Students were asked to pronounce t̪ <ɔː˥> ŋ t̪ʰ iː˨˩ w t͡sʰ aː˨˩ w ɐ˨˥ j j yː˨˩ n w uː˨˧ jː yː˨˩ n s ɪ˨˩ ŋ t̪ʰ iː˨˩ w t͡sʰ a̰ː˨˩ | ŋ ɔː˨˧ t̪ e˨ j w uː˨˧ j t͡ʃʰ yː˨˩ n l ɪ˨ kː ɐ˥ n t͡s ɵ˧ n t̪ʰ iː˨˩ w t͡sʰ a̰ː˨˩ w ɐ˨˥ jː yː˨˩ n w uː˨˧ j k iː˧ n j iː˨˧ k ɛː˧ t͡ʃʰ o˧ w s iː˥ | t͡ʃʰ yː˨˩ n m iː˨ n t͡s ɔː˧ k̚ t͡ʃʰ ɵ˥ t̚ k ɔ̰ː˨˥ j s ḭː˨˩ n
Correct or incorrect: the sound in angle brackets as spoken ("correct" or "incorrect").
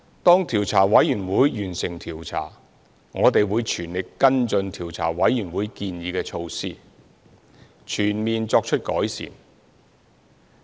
correct